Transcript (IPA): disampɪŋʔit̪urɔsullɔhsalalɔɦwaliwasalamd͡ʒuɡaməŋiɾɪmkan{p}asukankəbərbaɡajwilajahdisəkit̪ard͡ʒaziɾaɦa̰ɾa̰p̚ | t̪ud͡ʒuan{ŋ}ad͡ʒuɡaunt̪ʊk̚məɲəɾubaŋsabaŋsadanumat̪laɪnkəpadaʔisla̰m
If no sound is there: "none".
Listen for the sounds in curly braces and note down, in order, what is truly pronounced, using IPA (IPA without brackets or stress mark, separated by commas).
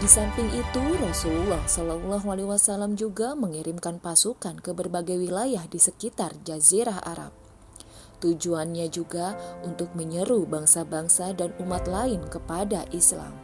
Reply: p, ɲ